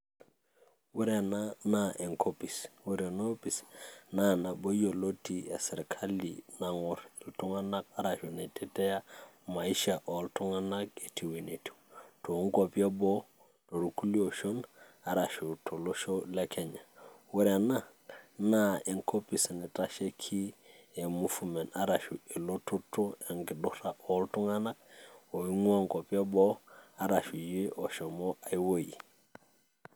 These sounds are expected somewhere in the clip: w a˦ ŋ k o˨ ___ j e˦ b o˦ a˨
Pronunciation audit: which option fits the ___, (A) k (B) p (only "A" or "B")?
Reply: B